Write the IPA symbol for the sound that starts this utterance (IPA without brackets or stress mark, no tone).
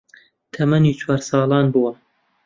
t̪ʰ